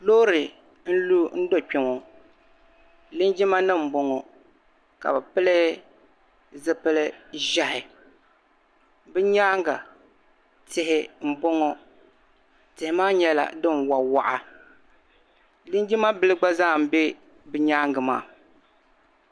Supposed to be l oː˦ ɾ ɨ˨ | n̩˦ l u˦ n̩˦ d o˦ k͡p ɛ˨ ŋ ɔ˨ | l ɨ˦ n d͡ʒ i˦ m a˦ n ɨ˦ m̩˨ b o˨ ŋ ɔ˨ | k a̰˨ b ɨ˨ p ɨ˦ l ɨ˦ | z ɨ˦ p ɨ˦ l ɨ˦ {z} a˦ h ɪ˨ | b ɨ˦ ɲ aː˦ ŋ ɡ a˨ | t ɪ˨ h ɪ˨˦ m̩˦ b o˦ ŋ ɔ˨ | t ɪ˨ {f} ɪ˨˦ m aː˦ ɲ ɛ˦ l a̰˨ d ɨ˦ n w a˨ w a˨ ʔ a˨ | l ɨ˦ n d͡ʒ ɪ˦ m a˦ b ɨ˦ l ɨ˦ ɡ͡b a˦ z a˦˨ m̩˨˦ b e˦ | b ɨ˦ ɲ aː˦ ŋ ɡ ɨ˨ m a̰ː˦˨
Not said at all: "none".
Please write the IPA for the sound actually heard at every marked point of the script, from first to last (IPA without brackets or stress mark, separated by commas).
ʒ, h